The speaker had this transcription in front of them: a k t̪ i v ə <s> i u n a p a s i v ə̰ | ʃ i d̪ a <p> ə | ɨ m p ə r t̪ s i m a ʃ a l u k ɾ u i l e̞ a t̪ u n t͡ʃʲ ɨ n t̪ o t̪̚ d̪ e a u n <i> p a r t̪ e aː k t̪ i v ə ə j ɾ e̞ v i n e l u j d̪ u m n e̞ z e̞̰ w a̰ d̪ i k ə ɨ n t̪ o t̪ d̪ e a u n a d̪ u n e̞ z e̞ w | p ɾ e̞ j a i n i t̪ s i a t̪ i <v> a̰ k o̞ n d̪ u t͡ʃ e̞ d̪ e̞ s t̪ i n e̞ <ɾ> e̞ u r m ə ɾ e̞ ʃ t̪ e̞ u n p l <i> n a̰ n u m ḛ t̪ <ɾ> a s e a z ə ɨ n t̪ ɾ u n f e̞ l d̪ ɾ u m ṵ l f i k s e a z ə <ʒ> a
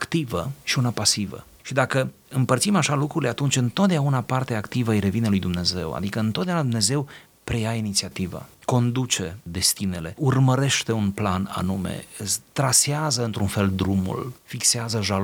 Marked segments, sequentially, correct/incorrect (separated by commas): incorrect, incorrect, incorrect, correct, incorrect, incorrect, correct, correct